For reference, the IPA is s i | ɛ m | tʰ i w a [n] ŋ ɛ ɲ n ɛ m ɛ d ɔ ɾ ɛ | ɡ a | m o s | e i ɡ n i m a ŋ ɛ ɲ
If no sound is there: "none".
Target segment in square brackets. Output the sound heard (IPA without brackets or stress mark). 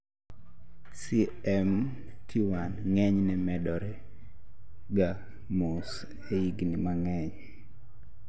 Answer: n